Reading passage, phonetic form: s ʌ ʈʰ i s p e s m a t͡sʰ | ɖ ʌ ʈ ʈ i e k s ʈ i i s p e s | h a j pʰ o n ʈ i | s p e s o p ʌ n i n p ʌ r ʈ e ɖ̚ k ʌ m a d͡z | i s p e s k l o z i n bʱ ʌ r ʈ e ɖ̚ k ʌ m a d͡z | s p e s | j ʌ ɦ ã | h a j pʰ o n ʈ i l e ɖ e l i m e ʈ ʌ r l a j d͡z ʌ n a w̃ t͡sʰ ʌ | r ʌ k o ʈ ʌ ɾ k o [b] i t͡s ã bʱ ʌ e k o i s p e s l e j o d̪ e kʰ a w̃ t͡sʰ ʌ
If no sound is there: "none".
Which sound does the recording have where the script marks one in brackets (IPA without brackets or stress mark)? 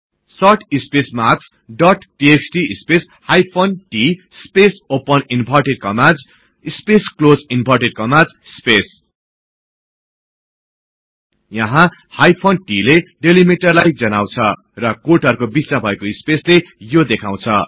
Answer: b